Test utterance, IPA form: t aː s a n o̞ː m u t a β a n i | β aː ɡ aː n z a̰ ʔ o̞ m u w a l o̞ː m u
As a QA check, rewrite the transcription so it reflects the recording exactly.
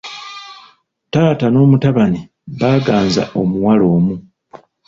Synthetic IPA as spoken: t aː t a n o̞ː m u t a β a n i | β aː ɡ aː n z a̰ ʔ o̞ m u w a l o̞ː m u